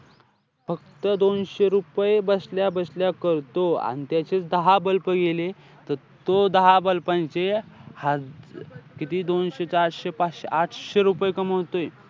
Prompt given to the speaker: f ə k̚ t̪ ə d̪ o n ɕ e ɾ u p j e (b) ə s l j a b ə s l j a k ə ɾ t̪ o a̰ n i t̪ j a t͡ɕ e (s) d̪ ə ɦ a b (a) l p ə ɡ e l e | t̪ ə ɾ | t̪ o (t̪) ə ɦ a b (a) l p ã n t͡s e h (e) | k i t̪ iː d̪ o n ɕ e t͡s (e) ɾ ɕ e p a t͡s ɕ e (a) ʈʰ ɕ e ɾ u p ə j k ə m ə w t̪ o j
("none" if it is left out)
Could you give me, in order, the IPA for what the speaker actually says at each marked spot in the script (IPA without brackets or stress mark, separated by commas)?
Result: b, t͡s, ə, d̪, ə, a, a, a